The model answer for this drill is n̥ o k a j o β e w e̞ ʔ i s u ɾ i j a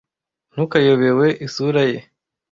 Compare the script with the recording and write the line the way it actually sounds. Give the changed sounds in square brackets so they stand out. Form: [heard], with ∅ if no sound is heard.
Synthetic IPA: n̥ [u] k a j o β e w e̞ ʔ i s u ɾ [a] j [e]

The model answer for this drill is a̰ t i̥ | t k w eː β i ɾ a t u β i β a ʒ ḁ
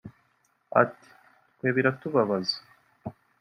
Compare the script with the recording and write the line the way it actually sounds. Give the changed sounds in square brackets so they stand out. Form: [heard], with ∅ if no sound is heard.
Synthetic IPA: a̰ t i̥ | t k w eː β i ɾ a t u β [a] β a [z] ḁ

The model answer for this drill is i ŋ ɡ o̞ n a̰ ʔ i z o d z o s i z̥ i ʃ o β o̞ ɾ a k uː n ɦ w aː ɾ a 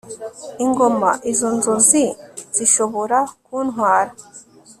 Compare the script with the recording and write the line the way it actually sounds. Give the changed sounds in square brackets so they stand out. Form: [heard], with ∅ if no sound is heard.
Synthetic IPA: i ŋ ɡ o̞ [m] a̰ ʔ i z o [n] z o [z] i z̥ i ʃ o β o̞ ɾ a k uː n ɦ w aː ɾ a

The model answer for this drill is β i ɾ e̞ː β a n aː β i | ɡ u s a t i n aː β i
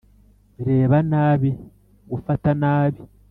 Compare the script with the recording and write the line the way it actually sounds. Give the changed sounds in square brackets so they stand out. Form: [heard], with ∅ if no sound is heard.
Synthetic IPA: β i ɾ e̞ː β a n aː β i | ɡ u [f] a t [a] n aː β i

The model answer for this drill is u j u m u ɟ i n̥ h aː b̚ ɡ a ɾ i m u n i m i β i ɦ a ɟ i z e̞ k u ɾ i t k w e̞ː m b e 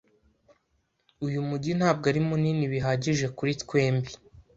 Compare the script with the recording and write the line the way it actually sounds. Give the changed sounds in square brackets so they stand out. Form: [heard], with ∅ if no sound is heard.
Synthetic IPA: u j u m u ɟ i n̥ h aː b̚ ɡ a ɾ i m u n i [n] i β i ɦ a ɟ i [ʒ] e̞ k u ɾ i t k w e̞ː m b [i]

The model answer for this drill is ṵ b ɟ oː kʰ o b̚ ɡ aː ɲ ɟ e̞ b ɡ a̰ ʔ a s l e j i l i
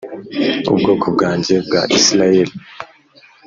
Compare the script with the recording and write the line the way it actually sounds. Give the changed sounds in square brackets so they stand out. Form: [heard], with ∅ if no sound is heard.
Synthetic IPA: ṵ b [ɡ] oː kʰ o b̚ ɡ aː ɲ ɟ e̞ b ɡ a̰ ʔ [i] s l [a] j [e] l i

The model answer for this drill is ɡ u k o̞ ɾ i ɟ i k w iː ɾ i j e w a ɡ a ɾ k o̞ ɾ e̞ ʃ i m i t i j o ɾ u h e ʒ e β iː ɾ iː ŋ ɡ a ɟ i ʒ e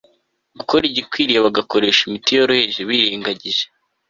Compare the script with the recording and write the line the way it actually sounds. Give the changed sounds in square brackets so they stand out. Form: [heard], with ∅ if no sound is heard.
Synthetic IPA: ɡ u k o̞ ɾ i ɟ i k w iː ɾ i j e [β] a ɡ a [∅] k o̞ ɾ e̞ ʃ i m i t i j o ɾ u h e ʒ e β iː ɾ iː ŋ ɡ a ɟ i ʒ e

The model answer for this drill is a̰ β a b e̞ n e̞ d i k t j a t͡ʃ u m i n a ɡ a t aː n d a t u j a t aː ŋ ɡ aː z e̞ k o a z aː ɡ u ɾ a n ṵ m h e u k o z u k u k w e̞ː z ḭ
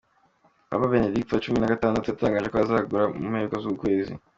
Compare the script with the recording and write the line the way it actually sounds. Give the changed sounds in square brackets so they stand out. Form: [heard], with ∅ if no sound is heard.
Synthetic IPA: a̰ β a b e̞ n e̞ d i k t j a t͡ʃ u m i n a ɡ a t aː n d a t u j a t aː ŋ ɡ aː [ʒ] e̞ k o a z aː ɡ u ɾ a [m] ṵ m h e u k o z u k u k w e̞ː z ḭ

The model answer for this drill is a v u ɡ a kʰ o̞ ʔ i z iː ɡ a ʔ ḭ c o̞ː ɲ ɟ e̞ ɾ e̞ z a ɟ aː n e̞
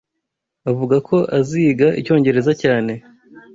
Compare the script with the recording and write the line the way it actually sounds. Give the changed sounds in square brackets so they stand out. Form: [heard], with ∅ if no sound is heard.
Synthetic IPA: a v u ɡ a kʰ o̞ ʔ [a] z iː ɡ a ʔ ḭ c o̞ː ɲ ɟ e̞ ɾ e̞ z a [c] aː n e̞

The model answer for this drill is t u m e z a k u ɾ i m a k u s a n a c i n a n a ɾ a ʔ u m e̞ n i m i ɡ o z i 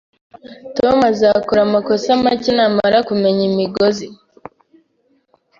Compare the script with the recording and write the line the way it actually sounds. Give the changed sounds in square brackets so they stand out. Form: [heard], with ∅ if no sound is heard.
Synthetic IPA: t [o] m [a] z a k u ɾ [a] m a k [o] s a [m] a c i n a [m] a ɾ a [k] u m e̞ [ɲ] i m i ɡ o z i

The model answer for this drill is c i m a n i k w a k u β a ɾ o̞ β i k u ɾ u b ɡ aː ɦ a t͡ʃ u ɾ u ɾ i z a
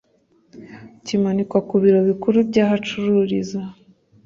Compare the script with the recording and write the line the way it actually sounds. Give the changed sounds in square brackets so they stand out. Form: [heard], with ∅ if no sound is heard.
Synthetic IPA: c i m a n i k w a k u β [i] ɾ o̞ β i k u ɾ u b [ɟ] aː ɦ a t͡ʃ u ɾ u ɾ i z a

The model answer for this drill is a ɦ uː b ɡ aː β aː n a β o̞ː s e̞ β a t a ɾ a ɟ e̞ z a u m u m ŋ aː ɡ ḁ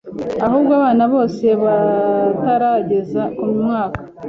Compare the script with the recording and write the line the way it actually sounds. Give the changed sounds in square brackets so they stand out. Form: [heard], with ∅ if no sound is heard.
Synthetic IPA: a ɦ uː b ɡ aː β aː n a β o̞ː s e̞ β a t a ɾ a ɟ e̞ z a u m u m ŋ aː [k] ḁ

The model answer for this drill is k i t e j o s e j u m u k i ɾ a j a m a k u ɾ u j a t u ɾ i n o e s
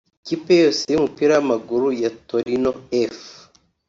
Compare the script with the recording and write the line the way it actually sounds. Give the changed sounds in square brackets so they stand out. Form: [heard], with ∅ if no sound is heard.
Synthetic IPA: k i [p] e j o s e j u m u [p] i ɾ a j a m a [ɡ] u ɾ u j a t [o] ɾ i n o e [f]

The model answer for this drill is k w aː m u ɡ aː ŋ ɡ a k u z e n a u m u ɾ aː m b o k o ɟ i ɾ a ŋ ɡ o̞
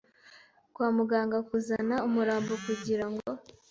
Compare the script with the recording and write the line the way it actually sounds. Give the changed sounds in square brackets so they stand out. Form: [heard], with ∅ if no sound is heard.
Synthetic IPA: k w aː m u ɡ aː ŋ ɡ a k u z [a] n a u m u ɾ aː m b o k [u] ɟ i ɾ a ŋ ɡ o̞

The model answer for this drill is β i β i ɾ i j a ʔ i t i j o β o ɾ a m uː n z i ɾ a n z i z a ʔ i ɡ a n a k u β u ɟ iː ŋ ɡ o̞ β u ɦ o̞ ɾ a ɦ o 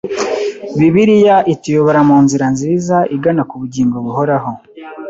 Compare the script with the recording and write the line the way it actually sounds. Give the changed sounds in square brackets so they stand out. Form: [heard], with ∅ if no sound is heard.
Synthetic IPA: β i β i ɾ i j a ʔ i t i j o β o ɾ a m uː n z i ɾ a n z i z a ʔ i ɡ a n a k u β u ɟ iː ŋ ɡ o̞ β u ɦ o̞ ɾ a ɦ o

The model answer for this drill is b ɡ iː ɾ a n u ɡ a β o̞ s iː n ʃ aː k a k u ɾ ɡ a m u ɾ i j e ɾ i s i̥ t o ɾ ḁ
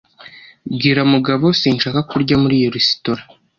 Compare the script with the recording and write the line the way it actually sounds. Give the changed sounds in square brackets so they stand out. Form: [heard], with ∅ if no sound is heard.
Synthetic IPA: b ɡ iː ɾ a [m] u ɡ a β o̞ s iː n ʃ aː k a k u ɾ [ɟ] a m u ɾ i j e ɾ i s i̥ t o ɾ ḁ

